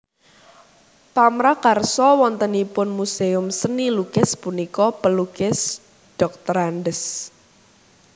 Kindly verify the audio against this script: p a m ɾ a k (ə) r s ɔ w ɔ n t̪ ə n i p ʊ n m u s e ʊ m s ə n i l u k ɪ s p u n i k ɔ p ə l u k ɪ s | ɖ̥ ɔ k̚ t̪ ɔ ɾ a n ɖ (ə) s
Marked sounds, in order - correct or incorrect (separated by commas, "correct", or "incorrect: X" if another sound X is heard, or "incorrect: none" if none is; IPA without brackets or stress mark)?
incorrect: a, correct